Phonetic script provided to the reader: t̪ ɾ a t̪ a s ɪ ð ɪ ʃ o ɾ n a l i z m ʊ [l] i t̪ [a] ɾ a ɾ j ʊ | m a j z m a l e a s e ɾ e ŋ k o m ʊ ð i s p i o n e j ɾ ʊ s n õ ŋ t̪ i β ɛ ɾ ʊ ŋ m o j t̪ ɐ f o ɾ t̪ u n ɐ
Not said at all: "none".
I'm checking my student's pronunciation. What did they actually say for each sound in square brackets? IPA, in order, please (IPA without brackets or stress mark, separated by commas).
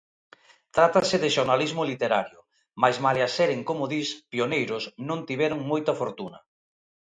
l, e